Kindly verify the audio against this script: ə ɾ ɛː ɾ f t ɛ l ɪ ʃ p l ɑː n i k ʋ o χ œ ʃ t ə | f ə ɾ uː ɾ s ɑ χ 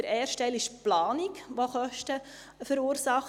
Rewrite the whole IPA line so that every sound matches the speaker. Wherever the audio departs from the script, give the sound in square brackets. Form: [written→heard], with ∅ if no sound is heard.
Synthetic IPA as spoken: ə ɾ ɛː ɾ [f→ʃ] t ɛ l ɪ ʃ p l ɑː n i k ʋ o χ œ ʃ t ə | f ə ɾ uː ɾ s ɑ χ